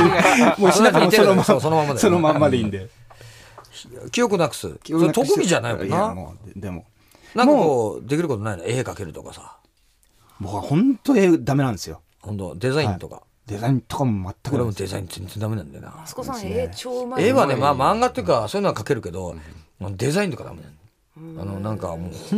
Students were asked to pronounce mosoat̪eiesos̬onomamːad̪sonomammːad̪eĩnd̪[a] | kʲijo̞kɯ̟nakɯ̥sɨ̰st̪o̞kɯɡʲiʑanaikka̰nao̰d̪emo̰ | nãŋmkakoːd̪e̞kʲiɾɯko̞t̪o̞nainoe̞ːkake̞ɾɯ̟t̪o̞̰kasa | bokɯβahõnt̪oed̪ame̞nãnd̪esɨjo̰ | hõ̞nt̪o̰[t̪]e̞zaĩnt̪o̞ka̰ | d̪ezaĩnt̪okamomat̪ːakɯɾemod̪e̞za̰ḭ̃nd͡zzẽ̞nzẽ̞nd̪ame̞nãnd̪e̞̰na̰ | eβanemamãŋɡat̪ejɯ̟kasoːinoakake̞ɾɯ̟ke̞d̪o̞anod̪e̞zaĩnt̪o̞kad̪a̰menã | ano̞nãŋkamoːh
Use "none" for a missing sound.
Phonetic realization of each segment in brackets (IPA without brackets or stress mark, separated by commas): e, d̪